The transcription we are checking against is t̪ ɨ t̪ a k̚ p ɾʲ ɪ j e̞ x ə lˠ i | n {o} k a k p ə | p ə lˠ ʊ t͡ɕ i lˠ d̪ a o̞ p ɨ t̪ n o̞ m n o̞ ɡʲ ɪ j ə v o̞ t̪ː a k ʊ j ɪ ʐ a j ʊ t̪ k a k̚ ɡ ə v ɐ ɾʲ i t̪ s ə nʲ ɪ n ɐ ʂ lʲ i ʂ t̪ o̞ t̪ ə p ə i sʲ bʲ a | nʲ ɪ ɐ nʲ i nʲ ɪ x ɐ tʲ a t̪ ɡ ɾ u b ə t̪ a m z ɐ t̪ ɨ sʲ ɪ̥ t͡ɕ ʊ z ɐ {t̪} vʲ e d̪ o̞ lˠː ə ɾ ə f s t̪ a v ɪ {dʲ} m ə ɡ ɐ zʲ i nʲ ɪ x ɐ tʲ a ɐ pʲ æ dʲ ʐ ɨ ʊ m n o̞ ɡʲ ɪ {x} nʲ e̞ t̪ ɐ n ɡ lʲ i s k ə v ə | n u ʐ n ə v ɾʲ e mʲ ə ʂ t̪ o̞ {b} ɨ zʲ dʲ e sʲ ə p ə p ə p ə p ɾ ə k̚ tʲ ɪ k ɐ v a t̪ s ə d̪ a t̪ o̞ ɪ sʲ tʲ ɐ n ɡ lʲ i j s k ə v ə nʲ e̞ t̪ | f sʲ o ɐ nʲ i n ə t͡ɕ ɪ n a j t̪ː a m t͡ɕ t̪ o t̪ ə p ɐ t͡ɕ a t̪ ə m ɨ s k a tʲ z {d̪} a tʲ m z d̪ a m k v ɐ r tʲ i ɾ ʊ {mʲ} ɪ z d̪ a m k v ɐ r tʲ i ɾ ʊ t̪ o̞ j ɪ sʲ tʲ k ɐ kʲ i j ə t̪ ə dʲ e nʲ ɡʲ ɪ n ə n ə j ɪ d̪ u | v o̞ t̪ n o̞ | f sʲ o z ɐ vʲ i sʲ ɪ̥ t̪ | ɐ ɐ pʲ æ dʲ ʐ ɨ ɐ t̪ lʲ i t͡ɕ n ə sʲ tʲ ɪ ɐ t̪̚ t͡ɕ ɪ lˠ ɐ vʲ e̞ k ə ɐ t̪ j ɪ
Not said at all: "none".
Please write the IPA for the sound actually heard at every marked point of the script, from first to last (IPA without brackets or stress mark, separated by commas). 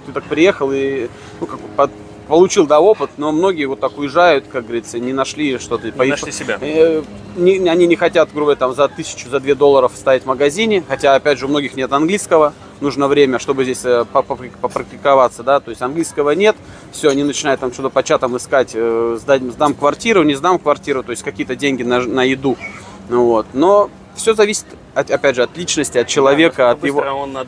u, d̪, tʲ, x, b, d̪, nʲ